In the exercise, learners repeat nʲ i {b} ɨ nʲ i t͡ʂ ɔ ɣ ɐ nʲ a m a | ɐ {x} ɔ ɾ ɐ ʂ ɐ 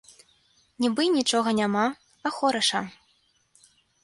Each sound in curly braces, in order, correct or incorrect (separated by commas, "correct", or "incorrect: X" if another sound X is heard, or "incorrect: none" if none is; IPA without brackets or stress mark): correct, correct